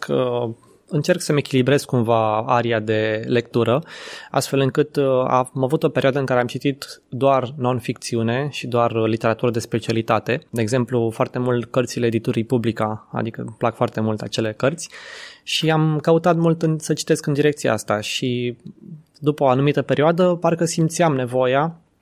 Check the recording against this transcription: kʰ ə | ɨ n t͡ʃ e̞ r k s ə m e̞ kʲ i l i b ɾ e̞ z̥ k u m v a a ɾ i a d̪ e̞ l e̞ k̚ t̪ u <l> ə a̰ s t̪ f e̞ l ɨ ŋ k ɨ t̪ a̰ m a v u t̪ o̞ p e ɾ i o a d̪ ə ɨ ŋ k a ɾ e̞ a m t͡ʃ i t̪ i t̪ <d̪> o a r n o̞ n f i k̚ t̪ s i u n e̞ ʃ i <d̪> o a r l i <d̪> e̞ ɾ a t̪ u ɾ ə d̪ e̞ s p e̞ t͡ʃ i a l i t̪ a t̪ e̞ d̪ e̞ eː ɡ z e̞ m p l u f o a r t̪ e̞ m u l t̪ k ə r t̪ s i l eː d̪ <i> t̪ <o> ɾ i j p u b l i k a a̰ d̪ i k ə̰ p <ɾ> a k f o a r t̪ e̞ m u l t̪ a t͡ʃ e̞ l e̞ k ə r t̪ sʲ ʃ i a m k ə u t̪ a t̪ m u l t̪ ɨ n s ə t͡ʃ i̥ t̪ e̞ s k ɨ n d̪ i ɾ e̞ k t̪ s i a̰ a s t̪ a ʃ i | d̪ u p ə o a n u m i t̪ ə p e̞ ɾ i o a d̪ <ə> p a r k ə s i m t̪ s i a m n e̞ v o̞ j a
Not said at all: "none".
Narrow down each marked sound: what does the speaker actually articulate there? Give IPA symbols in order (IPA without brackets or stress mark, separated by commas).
ɾ, d̪, d̪, t̪, i, u, l, ə